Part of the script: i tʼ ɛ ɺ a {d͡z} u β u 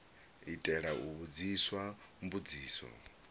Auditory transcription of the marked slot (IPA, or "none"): none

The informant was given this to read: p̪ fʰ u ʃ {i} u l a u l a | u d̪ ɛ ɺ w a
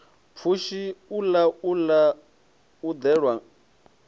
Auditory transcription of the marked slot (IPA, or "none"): i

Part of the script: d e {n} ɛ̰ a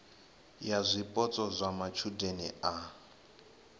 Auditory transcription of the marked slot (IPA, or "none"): n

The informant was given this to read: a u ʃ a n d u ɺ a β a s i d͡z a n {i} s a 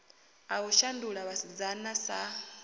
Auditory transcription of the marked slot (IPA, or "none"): a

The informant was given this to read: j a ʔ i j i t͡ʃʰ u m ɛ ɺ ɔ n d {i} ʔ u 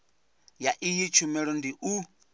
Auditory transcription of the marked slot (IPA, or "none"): i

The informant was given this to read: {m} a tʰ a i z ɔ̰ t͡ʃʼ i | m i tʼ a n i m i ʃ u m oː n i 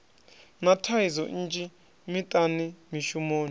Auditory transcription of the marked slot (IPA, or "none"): n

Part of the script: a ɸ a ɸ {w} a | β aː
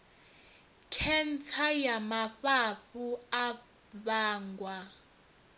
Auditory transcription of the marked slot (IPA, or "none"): u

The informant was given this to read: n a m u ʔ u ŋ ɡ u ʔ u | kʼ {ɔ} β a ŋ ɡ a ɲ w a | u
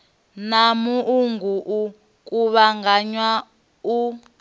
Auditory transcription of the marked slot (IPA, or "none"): u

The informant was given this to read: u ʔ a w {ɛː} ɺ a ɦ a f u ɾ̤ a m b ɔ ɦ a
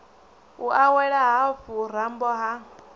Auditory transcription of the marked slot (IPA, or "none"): ɛ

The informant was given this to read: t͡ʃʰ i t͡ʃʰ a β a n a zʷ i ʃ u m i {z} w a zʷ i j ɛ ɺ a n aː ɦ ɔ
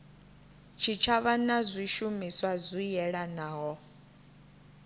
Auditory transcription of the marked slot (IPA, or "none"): s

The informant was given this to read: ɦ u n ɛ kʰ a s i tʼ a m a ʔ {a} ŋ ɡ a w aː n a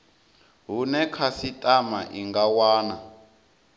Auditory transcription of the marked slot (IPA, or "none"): i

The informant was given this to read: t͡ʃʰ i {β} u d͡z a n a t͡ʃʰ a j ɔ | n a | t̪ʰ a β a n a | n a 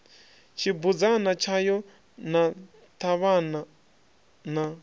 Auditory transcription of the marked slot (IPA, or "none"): b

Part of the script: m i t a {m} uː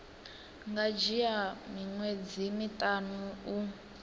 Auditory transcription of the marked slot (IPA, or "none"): n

